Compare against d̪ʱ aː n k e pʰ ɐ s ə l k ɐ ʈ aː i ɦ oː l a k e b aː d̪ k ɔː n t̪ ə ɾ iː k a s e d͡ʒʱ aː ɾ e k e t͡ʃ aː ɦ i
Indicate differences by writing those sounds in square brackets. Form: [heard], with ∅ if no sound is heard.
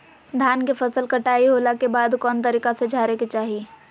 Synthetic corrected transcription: d̪ʱ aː n k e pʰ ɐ s ə l k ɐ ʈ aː i ɦ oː l a k e b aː d̪ k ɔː n t̪ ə ɾ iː k a s e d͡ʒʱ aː ɾ e k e t͡ʃ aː ɦ i

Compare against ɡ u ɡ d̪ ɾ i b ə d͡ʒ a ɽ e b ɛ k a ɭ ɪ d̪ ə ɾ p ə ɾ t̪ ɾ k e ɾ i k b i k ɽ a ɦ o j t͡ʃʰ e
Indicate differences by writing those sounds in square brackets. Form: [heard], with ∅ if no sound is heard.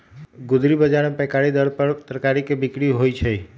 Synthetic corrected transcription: ɡ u [∅] d̪ ɾ i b ə d͡ʒ a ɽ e [p] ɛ k a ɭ [i] d̪ ə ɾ p ə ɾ t̪ ɾ k [a] ɾ i k b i k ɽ [i] ɦ o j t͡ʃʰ e

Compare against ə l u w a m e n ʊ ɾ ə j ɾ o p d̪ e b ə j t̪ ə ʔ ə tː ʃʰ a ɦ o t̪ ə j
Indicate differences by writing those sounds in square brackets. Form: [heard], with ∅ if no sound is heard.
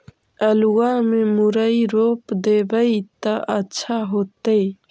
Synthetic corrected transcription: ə l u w a m e [m] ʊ ɾ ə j ɾ o p d̪ e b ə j t̪ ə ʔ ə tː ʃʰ a ɦ o t̪ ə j

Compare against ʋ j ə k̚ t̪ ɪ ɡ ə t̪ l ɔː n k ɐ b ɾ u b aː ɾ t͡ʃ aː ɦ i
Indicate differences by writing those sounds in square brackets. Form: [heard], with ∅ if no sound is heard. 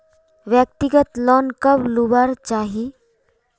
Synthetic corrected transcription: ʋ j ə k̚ t̪ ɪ ɡ ə t̪ l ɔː n k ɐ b [l] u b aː ɾ t͡ʃ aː ɦ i

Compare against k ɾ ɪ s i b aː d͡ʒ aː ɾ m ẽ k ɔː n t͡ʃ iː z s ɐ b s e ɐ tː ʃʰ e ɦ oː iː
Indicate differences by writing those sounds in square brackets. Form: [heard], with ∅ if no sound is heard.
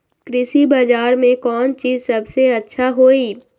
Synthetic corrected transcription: k ɾ ɪ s i b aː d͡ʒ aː ɾ m ẽ k ɔː n t͡ʃ iː z s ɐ b s e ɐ tː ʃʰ [a] ɦ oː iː

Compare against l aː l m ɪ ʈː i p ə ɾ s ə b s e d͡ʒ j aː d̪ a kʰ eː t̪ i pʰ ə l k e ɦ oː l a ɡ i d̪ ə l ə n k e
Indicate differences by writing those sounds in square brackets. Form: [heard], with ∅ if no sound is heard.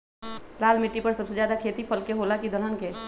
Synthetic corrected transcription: l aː l m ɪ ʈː i p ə ɾ s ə b s e d͡ʒ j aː d̪ a kʰ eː t̪ i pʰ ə l k e ɦ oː l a [k] i d̪ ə l ə n k e

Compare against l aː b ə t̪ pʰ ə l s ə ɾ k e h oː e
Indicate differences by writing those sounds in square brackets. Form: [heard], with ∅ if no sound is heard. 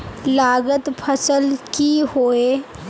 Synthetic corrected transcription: l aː [ɡ] ə t̪ pʰ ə [∅] s ə [l] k [i] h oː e

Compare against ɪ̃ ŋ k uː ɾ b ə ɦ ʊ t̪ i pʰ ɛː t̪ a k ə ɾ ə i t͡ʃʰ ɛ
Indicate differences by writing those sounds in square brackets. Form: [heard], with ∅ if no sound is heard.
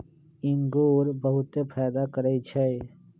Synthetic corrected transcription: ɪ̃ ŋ [ɡ] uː ɾ b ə ɦ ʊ t̪ [e] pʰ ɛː [d̪] a k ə ɾ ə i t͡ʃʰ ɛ

